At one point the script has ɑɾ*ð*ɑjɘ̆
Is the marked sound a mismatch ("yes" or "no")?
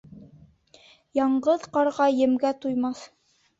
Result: yes